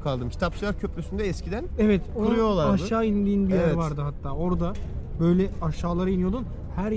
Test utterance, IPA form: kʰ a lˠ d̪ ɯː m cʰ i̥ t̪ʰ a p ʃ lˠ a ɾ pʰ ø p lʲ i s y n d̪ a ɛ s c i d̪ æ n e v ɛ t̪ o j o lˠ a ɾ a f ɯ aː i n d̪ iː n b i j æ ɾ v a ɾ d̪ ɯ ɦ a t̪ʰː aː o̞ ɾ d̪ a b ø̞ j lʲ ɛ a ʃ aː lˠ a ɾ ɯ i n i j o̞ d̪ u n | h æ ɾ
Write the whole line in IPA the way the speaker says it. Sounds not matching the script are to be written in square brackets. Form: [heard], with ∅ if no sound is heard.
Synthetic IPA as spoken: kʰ a lˠ d̪ [ɯ] m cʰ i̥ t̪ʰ a p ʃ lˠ a ɾ [cʰ] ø p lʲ [y] s y n d̪ [ɛ] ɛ s c i d̪ æ n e v ɛ t̪ o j o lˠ a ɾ a [ʃ] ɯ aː i n d̪ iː n b i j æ ɾ v a ɾ d̪ ɯ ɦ a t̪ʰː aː o̞ ɾ d̪ a b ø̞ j lʲ ɛ a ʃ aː lˠ a ɾ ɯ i n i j o̞ d̪ u n | h æ ɾ